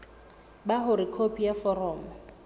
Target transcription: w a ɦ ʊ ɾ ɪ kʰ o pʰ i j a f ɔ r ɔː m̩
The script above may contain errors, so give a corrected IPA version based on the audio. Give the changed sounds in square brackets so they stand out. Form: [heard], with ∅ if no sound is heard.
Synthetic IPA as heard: [b] a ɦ ʊ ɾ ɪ kʰ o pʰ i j a f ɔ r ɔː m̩